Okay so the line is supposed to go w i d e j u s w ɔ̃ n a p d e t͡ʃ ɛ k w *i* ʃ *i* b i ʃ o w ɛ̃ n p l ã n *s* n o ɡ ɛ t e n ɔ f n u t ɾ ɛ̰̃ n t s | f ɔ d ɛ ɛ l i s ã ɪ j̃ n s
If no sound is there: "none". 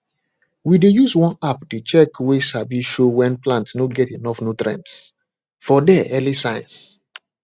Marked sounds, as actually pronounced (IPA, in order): e, a, t

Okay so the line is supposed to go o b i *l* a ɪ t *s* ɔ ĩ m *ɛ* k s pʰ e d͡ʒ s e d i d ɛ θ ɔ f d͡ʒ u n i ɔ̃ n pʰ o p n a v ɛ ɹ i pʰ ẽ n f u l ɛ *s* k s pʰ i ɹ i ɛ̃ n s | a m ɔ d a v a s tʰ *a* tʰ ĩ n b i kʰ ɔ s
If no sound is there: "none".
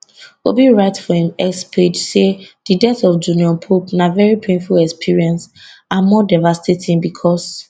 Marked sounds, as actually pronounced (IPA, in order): ɹ, f, ɛ, none, e

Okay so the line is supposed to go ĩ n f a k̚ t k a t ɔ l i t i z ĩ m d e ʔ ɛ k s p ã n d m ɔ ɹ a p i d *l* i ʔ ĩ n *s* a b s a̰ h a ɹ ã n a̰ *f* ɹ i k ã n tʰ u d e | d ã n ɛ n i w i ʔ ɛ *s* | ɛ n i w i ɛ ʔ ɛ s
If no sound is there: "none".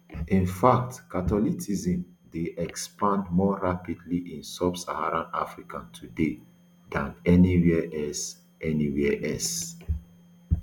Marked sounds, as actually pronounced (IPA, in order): l, s, f, s

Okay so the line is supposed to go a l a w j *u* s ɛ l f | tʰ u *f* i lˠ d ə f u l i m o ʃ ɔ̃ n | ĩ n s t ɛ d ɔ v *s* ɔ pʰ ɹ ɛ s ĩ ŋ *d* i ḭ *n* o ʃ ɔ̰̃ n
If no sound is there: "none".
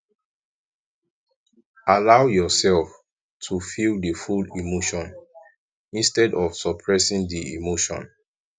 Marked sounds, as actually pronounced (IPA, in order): ɔ, f, s, d, m

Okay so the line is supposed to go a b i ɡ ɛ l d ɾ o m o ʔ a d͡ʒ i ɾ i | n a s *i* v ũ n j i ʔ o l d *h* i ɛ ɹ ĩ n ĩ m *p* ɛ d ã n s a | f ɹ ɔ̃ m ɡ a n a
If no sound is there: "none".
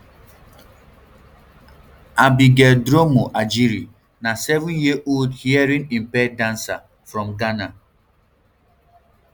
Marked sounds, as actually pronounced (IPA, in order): ɛ, h, p

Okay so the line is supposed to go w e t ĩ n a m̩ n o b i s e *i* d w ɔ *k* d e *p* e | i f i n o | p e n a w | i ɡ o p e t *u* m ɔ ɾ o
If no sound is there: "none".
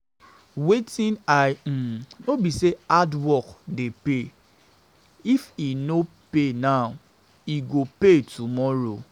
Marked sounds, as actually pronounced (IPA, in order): a, k, p, u

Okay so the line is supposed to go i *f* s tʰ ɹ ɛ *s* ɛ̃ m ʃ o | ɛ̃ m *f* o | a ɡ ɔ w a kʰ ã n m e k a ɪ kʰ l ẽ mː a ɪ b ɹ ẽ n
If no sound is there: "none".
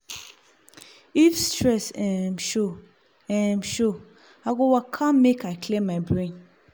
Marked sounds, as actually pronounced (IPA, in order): f, s, ʃ

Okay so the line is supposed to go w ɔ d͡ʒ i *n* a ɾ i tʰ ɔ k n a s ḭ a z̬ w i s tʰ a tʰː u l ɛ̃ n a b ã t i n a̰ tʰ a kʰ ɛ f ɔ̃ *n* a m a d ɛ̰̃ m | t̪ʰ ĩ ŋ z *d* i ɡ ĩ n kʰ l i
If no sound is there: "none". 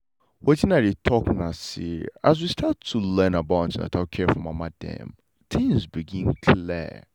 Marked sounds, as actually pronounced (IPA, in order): n, m, b

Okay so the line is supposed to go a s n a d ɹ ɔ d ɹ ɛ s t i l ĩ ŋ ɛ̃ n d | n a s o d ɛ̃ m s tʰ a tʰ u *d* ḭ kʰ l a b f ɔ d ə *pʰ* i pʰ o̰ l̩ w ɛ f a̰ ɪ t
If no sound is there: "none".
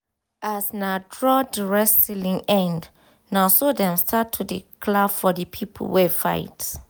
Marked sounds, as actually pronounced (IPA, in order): d, pʰ

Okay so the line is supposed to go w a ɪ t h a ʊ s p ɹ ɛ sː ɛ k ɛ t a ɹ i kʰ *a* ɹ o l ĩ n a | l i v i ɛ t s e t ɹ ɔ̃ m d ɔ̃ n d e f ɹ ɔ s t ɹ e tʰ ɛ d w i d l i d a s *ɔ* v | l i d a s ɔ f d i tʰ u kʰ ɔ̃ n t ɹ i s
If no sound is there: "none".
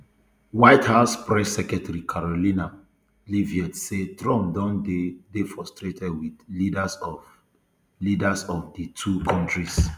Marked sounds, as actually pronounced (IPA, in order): a, ɔ

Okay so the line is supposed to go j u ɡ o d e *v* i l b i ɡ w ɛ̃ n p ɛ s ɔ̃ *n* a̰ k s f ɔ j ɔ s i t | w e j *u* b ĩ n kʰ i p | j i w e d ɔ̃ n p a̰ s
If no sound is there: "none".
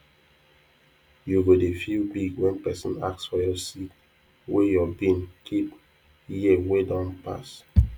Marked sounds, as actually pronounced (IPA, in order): f, n, ɔ

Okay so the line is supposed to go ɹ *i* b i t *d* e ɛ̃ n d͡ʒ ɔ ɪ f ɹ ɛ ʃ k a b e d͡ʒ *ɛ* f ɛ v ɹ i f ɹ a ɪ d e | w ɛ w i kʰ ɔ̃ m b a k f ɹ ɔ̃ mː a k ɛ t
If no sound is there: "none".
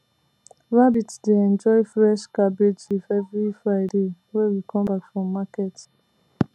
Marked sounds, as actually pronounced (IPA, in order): a, d, i

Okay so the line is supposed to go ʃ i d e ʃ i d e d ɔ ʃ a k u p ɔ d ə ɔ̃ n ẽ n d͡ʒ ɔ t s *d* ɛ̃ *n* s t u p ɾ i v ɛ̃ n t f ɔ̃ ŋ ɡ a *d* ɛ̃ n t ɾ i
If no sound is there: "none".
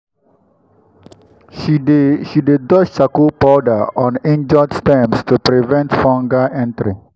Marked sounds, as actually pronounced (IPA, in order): t, m, none

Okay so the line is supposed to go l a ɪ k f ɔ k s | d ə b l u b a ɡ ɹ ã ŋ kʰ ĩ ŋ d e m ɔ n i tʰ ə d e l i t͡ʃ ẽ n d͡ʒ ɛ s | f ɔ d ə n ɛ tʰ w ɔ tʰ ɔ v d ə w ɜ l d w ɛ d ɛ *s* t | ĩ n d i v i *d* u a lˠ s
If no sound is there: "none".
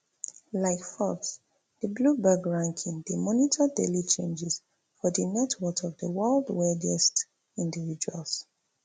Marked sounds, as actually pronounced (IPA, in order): s, d͡ʒ

